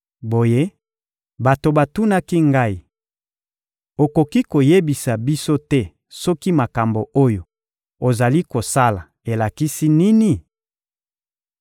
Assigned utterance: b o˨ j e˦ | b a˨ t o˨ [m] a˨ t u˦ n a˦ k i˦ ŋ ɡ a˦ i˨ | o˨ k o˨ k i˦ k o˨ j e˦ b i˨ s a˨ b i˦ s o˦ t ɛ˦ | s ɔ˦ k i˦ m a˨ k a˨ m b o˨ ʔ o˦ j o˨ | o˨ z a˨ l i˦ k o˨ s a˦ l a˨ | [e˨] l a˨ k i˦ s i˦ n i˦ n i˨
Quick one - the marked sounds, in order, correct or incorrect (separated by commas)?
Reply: incorrect, correct